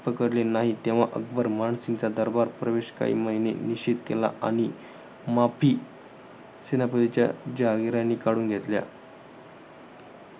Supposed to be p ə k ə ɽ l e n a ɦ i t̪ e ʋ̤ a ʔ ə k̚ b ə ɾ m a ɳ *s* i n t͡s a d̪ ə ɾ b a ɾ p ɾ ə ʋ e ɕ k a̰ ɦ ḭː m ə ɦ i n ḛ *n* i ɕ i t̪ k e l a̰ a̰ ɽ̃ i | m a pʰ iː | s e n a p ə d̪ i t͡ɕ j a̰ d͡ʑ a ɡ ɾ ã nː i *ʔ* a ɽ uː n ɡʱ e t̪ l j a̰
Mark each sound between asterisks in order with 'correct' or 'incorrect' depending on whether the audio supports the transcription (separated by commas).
correct, correct, incorrect